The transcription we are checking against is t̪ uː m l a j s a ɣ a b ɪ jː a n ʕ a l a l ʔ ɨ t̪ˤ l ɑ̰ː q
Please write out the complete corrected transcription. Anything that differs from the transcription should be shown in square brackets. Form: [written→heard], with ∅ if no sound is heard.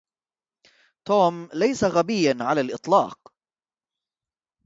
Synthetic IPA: t̪ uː m l a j s a ɣ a b ɪ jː a n ʕ a l a l ʔ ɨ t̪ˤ l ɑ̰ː q